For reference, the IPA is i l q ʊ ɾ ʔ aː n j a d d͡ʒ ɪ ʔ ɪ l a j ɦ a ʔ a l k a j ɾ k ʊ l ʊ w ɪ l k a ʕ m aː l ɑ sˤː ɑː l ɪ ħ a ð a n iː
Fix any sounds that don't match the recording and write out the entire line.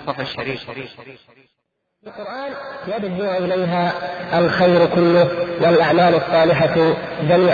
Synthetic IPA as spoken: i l q ʊ ɾ ʔ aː n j a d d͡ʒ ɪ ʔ ɪ l a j ɦ a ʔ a l x a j ɾ k ʊ lː ʊ w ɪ l ʔ a ʕ m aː l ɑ sˤː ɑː l ɪ ħ a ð a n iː